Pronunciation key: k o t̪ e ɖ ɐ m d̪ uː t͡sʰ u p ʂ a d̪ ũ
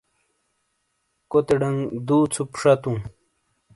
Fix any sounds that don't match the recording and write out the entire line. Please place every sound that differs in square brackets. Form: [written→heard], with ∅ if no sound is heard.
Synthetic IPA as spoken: k o t̪ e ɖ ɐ [m→ŋ] d̪ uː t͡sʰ u p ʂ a [d̪→t̪] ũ